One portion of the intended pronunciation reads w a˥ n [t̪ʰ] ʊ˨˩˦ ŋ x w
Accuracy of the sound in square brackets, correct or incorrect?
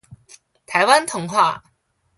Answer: correct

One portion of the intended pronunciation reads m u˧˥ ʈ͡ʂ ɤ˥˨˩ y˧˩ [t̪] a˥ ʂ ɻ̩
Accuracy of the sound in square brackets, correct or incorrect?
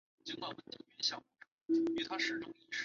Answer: incorrect: t̪ʰ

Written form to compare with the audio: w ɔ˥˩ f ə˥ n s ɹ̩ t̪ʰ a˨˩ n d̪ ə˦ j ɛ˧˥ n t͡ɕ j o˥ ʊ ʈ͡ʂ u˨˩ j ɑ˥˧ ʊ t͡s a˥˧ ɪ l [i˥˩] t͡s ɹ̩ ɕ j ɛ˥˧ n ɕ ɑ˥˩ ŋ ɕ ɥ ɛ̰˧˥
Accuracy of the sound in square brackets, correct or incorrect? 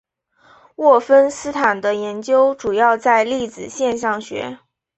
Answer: correct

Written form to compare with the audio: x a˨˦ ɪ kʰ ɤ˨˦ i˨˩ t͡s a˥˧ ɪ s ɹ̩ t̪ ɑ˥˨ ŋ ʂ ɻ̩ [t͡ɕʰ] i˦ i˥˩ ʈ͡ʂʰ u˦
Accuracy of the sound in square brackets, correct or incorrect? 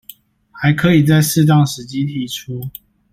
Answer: incorrect: t͡ɕ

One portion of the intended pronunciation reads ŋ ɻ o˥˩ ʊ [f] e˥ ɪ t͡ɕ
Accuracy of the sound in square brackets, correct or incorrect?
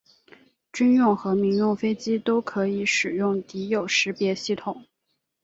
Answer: correct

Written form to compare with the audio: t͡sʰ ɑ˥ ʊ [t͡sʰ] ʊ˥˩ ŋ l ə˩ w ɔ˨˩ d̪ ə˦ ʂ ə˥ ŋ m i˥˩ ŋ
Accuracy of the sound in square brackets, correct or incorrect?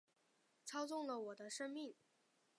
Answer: incorrect: t͡s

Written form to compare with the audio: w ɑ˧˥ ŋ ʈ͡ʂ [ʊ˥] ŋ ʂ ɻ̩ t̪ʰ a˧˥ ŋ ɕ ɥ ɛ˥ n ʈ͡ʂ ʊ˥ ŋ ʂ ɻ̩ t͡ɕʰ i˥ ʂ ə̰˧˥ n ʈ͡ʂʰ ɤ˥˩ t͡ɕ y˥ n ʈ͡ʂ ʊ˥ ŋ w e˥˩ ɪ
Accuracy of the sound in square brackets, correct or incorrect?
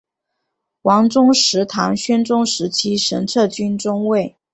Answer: correct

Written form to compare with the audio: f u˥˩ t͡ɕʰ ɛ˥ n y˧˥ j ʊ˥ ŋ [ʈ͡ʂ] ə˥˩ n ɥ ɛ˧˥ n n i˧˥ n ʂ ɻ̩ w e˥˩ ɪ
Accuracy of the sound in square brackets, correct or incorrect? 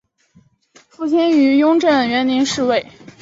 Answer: correct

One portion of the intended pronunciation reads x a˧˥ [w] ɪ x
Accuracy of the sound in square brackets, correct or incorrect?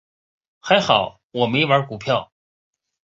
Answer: incorrect: none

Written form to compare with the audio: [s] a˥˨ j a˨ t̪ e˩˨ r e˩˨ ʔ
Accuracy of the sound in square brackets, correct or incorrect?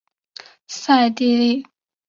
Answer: correct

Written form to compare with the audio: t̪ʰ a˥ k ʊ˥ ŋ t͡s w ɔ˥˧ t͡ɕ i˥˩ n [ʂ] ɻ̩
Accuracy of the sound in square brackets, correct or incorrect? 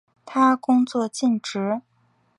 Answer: incorrect: ʈ͡ʂ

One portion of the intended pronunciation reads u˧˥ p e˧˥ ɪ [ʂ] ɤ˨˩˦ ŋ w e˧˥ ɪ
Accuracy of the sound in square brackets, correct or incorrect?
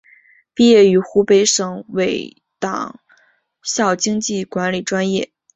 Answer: correct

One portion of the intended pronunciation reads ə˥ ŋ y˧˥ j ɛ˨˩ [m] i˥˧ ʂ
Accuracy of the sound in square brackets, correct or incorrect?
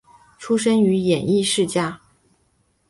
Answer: incorrect: n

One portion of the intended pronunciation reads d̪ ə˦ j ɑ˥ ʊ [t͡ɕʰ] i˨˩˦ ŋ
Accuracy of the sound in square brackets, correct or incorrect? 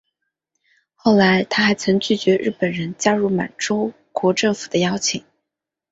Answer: correct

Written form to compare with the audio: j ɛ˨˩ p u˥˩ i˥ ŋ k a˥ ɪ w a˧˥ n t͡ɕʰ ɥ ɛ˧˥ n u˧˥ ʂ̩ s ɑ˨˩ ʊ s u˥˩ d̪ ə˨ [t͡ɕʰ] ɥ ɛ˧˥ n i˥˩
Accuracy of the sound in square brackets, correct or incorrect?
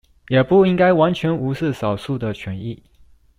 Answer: correct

